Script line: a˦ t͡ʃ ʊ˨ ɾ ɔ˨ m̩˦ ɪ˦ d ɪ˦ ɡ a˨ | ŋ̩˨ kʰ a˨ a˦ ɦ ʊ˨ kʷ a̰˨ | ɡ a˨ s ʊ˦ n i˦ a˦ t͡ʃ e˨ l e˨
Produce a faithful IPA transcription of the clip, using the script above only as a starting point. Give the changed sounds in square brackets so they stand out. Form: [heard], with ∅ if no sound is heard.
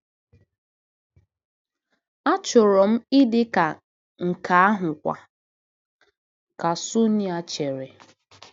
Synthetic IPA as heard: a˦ t͡ʃ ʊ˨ ɾ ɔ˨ m̩˦ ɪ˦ d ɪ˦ [k] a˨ | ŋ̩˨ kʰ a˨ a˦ ɦ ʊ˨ kʷ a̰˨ | [k] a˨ s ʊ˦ n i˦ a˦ t͡ʃ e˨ [ɾ] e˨